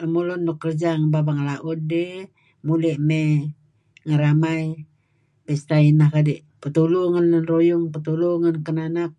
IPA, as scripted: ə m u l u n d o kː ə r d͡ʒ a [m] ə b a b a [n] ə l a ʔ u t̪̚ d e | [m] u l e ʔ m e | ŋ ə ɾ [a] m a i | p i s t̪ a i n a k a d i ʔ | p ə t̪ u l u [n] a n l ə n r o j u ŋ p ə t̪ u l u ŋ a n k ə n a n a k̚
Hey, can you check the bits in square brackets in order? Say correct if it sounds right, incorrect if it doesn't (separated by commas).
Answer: incorrect, incorrect, correct, correct, incorrect